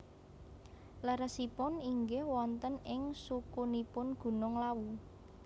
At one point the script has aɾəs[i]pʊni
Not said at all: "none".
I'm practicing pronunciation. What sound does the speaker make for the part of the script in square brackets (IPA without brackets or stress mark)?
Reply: i